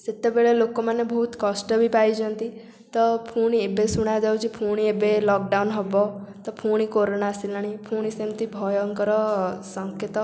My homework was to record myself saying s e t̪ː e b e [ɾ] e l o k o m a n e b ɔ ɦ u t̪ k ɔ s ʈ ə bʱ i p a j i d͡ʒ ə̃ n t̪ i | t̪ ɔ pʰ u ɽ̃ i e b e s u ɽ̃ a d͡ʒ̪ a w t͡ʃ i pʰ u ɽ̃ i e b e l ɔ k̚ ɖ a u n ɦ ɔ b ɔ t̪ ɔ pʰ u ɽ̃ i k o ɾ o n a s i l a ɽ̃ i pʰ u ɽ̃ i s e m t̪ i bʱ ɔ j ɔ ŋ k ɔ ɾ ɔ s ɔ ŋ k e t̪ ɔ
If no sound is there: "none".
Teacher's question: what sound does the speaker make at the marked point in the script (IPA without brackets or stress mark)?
ɭ